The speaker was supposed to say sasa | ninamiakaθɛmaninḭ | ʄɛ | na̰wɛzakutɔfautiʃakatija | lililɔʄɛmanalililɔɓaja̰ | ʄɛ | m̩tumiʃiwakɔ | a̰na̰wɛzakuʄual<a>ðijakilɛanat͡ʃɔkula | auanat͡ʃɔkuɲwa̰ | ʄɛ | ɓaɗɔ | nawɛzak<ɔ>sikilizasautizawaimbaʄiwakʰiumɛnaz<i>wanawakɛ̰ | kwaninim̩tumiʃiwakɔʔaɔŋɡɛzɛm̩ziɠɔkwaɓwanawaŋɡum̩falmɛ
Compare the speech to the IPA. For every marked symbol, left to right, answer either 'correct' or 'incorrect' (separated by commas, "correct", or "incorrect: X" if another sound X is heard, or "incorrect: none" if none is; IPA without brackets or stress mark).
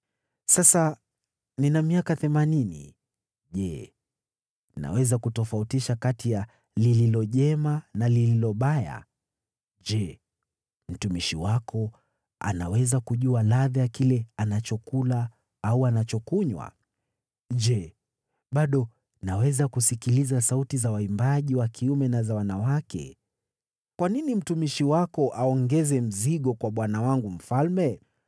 correct, incorrect: u, incorrect: a